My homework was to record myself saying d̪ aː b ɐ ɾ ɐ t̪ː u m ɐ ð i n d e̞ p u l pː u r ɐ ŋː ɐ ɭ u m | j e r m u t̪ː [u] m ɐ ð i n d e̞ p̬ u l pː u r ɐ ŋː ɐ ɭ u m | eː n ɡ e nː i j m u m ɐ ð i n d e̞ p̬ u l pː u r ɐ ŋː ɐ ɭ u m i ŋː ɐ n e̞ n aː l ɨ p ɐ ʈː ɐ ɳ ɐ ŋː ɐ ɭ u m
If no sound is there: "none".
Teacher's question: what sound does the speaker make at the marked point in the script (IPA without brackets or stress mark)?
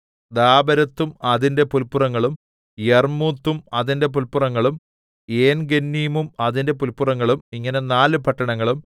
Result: u